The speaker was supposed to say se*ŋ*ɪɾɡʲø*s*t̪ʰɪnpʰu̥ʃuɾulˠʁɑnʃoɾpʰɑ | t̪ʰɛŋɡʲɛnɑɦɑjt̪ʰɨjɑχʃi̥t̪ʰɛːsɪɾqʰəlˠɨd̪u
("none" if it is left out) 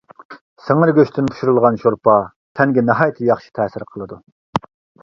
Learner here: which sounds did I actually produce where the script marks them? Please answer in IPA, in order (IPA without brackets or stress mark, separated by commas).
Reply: ŋ, ʃ